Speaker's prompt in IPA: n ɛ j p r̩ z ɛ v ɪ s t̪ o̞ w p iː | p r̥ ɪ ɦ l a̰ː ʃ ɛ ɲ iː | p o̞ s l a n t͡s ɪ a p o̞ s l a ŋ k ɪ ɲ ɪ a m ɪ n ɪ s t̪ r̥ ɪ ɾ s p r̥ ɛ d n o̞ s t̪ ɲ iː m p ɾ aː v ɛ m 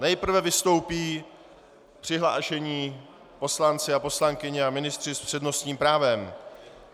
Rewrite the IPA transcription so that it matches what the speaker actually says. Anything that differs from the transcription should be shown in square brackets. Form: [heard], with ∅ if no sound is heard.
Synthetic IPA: n ɛ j p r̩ [v] ɛ v ɪ s t̪ o̞ w p iː | p r̥ ɪ ɦ l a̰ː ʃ ɛ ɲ iː | p o̞ s l a n t͡s ɪ a p o̞ s l a ŋ k ɪ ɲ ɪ a m ɪ n ɪ s t̪ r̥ ɪ [∅] s p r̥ ɛ d n o̞ s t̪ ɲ iː m p ɾ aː v ɛ m